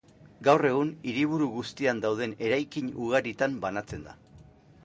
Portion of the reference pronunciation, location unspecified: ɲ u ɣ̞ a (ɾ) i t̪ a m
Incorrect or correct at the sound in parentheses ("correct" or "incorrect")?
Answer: correct